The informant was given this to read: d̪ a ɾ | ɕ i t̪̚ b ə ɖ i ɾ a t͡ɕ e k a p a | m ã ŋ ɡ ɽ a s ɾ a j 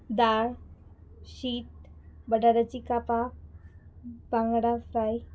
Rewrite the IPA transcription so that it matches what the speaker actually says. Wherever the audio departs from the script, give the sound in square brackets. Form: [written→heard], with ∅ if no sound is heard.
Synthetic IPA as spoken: d̪ a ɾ | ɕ i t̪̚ b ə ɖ [i→a] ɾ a t͡ɕ [e→i] k a p a | [m→b] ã ŋ ɡ ɽ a [s→f] ɾ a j